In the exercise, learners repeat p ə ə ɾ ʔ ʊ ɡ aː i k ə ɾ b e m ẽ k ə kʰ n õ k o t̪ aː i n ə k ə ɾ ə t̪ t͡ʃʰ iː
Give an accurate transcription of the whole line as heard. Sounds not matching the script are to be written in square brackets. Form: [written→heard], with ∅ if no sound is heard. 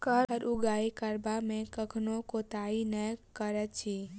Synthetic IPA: [p→k] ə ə ɾ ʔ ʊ ɡ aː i k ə ɾ b [e→a] m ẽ k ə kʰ n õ k o t̪ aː i n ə k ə ɾ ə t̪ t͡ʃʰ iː

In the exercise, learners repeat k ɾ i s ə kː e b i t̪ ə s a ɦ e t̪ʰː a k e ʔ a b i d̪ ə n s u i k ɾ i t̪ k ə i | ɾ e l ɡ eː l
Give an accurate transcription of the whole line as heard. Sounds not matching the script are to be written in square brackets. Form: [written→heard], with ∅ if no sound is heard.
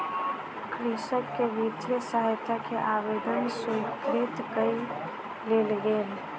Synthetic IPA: k ɾ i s ə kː e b i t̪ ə s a ɦ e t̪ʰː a k e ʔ a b [i→e] d̪ ə n s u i k ɾ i t̪ k ə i | [ɾ→l] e l ɡ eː l

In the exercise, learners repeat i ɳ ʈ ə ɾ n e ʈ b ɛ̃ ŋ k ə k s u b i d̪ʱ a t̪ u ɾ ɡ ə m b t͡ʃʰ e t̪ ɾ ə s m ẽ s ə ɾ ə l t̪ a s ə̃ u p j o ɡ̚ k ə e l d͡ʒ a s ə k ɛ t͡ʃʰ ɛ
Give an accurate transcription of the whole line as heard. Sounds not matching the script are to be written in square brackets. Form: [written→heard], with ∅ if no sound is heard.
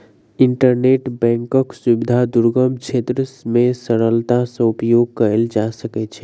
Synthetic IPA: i ɳ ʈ ə ɾ n e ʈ b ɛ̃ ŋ k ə k s u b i d̪ʱ a [t̪→d̪] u ɾ ɡ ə m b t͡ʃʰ e t̪ ɾ ə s m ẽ s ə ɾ ə l t̪ a s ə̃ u p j o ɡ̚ k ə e l d͡ʒ a s ə k ɛ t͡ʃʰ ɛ

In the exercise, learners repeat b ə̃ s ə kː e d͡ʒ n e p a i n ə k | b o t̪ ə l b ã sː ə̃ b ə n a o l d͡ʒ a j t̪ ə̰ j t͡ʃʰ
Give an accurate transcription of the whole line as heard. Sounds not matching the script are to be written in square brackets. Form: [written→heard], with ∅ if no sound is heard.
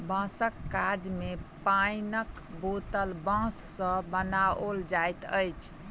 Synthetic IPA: b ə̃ s ə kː [e→a] d͡ʒ [n→m] e p a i n ə k | b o t̪ ə l b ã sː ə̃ b ə n a o l d͡ʒ a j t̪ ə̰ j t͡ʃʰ

